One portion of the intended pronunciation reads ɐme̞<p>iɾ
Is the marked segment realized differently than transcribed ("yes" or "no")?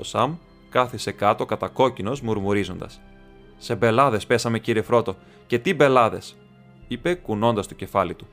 yes